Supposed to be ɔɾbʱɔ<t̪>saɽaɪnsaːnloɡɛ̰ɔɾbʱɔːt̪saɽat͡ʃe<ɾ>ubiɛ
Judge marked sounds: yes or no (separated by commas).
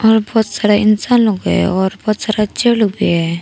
yes, no